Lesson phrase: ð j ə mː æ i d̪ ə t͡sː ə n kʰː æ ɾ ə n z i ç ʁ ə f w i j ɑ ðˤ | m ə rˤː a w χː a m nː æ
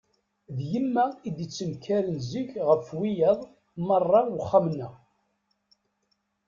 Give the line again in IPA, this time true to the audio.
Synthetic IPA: ð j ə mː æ i d̪ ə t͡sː ə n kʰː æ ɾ ə n z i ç ʁ ə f w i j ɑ ðˤ | m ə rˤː ɑ w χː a m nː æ